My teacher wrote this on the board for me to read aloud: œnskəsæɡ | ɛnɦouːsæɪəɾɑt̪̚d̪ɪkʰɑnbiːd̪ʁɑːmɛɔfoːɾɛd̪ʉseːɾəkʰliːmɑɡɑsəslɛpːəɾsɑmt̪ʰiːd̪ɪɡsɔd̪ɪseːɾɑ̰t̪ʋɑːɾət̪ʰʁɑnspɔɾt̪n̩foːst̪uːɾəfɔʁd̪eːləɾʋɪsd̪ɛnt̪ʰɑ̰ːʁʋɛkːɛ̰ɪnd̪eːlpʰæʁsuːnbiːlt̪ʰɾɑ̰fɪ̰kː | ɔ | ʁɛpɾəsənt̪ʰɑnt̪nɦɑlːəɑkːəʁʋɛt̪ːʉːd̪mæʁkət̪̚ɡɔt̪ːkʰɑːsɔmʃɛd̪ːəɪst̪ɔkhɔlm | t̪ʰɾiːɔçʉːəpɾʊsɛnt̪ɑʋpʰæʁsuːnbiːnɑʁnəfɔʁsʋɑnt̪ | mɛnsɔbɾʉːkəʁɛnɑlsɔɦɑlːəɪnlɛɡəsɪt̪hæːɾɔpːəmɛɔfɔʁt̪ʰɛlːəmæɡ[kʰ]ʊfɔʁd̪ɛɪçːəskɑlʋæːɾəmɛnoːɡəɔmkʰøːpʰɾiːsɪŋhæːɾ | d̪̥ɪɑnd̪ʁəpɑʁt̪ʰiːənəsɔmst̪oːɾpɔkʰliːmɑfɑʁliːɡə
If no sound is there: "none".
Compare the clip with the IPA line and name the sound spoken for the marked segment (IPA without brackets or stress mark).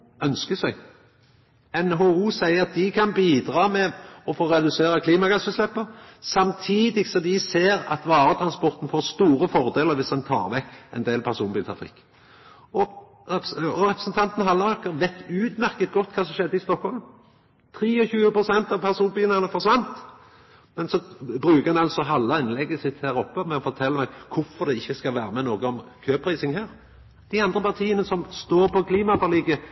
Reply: kʰ